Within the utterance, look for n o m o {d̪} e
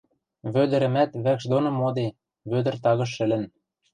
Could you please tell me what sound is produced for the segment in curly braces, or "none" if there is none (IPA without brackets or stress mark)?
d̪